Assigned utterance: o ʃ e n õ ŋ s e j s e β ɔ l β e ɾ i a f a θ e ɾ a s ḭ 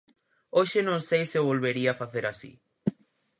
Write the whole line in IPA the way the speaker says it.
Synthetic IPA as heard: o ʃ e n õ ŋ s e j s e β o l β e ɾ i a f a θ e ɾ a s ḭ